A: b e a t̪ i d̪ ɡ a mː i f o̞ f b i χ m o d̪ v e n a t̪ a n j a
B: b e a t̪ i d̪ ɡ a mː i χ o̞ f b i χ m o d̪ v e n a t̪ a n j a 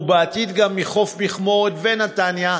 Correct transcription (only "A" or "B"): B